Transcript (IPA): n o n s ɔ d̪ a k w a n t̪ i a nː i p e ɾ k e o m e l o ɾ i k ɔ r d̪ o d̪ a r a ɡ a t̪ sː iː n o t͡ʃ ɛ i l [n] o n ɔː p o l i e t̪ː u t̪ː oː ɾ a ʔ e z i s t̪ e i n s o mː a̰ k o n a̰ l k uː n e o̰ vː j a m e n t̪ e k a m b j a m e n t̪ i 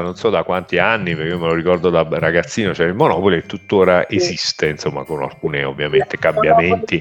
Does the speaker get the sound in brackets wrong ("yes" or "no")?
yes